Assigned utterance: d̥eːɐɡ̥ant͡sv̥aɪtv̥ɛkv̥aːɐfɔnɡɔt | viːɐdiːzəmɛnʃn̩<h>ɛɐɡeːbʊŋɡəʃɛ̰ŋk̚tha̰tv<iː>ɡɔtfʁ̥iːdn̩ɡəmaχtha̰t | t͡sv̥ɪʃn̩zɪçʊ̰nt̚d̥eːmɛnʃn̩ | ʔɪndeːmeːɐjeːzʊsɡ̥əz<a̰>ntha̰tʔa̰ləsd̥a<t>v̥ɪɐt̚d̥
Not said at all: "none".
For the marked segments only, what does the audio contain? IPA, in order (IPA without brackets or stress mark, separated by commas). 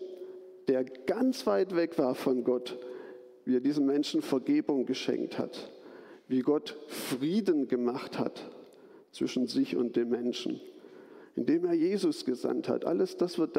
f, iː, a̰, s